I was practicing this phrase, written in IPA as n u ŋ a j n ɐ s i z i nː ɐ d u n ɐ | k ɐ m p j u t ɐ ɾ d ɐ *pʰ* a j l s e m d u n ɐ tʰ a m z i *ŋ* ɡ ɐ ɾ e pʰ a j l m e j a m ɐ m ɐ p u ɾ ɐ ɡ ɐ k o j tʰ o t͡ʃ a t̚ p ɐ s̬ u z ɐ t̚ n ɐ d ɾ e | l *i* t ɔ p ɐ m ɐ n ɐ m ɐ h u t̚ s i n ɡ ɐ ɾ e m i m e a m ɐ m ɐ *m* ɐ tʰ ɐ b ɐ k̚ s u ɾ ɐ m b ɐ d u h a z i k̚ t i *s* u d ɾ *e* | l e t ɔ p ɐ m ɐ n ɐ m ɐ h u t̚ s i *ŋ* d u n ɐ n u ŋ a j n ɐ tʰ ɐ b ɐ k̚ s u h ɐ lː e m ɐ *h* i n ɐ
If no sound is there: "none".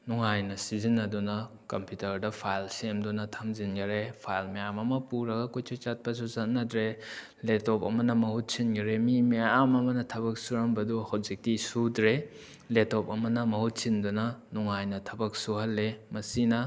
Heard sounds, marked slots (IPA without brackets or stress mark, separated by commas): pʰ, n, e, n, s, e, n, s